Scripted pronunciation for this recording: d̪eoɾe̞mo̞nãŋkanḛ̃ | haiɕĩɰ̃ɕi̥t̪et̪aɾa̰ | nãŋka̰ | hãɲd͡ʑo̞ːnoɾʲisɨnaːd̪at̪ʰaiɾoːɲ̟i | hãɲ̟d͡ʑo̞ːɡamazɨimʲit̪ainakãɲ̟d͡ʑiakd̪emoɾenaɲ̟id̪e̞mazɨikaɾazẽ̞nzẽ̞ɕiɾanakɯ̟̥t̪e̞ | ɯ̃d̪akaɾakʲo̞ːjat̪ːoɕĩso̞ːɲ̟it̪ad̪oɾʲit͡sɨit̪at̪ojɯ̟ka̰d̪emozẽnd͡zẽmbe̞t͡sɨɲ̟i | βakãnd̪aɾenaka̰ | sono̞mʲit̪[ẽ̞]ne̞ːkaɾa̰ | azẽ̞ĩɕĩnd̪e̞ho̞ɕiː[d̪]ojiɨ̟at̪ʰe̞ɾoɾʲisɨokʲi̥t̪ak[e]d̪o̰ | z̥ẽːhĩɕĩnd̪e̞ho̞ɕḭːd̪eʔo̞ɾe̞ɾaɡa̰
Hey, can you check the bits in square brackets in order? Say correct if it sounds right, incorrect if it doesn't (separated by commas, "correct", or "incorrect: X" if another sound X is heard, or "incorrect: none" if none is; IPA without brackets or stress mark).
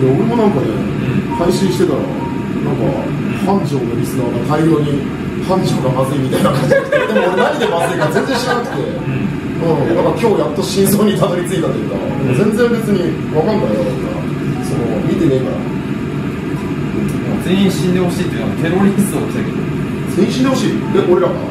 incorrect: e̞, incorrect: t̪, correct